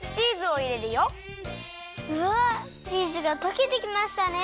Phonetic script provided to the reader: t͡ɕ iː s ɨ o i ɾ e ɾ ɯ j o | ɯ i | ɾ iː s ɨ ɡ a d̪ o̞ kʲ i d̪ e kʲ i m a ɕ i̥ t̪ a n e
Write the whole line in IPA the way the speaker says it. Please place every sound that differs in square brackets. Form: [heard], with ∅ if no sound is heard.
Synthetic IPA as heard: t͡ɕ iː [z] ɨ o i ɾ e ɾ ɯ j o | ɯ [a] | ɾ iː [z] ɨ ɡ a [t̪] o̞ kʲ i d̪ e kʲ i m a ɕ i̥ t̪ a n e